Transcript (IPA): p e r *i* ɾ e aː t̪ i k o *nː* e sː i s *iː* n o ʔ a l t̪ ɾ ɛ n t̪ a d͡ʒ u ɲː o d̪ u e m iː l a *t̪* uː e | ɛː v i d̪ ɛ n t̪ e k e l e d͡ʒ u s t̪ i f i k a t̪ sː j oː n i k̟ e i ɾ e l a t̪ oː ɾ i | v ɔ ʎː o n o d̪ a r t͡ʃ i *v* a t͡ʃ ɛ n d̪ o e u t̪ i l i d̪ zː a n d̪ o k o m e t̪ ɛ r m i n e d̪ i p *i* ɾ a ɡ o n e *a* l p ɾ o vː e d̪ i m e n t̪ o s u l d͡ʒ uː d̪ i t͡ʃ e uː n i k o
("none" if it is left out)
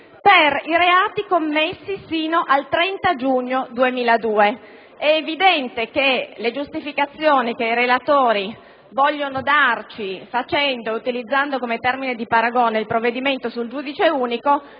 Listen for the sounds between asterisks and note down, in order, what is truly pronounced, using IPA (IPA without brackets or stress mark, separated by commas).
i, mː, iː, d̪, f, a, i